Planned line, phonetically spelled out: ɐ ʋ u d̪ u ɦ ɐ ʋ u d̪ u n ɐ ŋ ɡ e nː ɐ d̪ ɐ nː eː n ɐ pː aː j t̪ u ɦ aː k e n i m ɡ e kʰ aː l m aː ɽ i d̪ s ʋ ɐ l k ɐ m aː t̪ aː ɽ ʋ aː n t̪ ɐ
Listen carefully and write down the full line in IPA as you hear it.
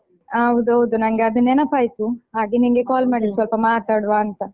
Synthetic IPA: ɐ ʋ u d̪ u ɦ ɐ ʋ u d̪ u n ɐ ŋ ɡ e ɐ d̪ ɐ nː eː n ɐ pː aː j t̪ u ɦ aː ɡ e n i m ɡ e k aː l m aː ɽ i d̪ s ʋ ɐ l p ɐ m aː t̪ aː ɽ ʋ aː n t̪ ɐ